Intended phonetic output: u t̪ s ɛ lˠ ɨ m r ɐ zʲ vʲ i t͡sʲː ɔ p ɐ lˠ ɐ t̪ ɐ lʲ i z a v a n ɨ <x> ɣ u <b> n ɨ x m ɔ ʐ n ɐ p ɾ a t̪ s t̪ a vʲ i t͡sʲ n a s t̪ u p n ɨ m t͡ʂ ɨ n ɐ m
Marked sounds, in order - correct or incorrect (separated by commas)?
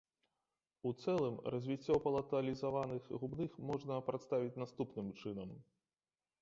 correct, correct